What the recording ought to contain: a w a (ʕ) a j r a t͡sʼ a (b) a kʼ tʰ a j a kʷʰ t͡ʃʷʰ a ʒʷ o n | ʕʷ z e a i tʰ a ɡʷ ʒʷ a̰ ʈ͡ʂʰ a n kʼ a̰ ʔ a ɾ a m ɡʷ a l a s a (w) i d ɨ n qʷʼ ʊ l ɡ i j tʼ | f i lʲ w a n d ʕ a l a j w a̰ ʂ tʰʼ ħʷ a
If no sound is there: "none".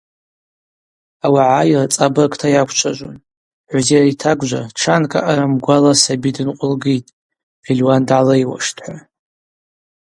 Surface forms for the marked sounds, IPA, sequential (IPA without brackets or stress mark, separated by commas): ʕ, b, b